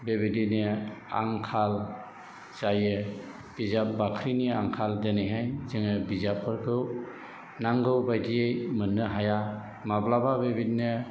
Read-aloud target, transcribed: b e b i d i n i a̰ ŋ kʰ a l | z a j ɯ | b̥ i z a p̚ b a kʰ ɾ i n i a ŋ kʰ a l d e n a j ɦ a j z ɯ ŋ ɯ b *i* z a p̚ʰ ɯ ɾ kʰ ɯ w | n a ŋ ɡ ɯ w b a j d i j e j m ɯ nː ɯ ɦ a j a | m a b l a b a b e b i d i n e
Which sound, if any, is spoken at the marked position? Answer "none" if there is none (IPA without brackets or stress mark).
i